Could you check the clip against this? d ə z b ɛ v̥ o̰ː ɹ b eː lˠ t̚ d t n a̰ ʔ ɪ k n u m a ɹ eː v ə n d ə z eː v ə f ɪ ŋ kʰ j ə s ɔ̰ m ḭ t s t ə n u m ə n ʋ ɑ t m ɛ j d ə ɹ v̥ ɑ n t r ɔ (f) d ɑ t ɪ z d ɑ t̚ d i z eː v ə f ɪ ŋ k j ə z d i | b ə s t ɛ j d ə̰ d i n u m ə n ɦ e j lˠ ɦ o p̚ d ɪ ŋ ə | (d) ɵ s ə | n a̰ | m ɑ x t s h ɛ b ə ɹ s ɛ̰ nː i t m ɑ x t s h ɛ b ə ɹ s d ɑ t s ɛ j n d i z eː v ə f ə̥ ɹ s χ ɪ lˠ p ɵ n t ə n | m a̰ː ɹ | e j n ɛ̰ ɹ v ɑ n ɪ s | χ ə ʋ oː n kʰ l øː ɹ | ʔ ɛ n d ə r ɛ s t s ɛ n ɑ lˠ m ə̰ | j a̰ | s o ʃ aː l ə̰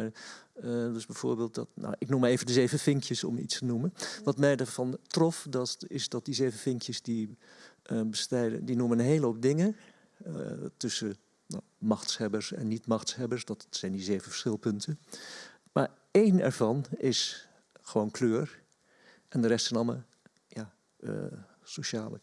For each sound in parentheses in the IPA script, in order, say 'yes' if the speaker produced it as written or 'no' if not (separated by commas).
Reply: yes, no